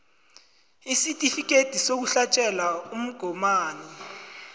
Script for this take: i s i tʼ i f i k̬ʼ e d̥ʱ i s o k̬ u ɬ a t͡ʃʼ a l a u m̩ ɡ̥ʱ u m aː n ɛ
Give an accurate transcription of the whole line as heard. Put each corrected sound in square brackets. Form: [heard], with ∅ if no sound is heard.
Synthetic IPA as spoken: i s i tʼ i f i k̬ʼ e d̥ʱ i s o k̬ u ɬ a t͡ʃʼ [ɛ] l a u m̩ ɡ̥ʱ [ɔ] m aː n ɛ